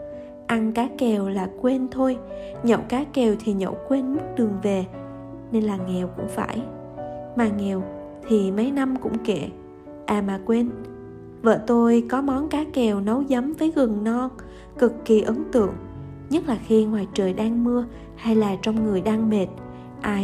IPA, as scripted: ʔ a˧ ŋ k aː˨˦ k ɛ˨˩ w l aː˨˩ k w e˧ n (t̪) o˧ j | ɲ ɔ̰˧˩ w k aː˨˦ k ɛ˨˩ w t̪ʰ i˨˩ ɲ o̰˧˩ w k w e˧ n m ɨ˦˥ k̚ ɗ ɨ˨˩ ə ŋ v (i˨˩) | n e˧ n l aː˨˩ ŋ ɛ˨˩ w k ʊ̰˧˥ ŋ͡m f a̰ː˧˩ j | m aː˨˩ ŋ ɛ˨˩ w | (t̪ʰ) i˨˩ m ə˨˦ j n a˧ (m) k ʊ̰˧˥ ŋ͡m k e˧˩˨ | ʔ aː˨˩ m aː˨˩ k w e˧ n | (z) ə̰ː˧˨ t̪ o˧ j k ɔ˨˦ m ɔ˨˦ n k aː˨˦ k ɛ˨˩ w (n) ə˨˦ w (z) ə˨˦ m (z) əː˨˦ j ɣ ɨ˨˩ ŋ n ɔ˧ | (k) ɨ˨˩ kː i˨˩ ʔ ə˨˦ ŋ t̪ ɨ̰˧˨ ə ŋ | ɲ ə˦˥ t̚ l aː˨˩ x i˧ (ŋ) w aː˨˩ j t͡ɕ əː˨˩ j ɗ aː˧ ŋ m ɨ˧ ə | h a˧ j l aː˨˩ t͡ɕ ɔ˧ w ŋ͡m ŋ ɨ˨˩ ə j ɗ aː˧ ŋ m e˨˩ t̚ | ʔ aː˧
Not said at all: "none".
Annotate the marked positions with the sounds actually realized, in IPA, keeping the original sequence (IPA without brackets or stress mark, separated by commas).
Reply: t̪ʰ, e˨˩, t̪ʰ, m, v, n, z, v, k, ŋ